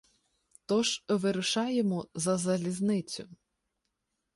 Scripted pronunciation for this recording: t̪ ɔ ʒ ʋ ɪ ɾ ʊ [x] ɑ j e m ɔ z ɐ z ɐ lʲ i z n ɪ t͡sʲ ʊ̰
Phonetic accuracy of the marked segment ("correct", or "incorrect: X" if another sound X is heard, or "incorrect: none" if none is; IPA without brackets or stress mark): incorrect: ʃ